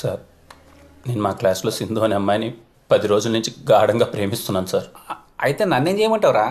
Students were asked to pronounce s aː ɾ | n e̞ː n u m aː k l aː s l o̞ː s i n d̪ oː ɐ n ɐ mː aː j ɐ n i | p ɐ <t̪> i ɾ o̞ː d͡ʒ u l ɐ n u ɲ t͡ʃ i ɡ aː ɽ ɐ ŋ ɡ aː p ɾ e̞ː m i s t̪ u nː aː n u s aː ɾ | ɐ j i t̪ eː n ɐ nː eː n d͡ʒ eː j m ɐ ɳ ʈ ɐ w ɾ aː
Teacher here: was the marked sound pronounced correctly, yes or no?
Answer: no